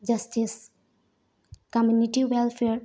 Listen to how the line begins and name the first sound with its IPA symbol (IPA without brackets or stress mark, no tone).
d͡ʒ